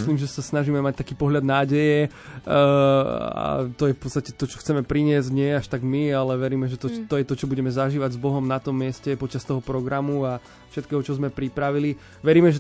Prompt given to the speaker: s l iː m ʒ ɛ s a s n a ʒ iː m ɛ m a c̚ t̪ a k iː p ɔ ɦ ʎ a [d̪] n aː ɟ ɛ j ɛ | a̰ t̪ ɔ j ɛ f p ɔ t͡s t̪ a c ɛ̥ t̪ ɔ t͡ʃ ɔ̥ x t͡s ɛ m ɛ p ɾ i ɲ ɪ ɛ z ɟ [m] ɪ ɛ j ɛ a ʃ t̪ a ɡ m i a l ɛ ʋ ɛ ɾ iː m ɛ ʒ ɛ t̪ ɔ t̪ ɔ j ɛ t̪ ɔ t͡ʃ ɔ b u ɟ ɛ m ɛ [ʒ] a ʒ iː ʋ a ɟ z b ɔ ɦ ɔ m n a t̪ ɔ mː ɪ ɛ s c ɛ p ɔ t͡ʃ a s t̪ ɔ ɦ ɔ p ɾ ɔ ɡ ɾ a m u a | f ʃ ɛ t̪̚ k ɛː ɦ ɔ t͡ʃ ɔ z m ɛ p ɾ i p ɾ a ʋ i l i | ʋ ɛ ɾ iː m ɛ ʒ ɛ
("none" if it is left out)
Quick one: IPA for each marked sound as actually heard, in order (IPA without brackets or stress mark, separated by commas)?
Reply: d̪, ɲ, z